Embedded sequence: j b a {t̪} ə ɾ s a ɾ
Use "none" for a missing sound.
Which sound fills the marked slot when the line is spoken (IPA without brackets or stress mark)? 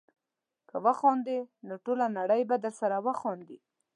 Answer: d̪